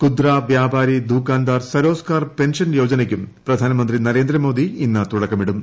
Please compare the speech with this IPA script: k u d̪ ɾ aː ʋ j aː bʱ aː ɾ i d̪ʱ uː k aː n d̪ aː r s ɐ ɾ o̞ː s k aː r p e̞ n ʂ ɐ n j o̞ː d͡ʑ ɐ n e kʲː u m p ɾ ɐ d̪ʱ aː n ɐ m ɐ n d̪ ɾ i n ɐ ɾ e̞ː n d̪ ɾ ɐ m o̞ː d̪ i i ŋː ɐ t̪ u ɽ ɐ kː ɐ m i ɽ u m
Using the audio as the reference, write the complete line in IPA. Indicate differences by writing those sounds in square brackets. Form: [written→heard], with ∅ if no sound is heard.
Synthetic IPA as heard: k u d̪ ɾ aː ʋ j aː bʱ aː ɾ i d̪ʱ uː k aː n d̪ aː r s ɐ ɾ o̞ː s k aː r p e̞ n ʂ ɐ n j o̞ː d͡ʑ ɐ n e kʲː u m p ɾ ɐ d̪ʱ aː n ɐ m ɐ n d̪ ɾ i n ɐ ɾ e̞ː n d̪ ɾ ɐ m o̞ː d̪ i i [ŋː→nː] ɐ t̪ u ɽ ɐ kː ɐ m i ɽ u m